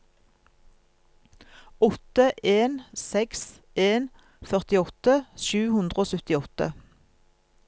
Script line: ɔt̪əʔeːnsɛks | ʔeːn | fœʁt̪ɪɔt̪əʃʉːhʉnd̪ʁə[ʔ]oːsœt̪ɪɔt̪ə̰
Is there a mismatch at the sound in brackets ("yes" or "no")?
yes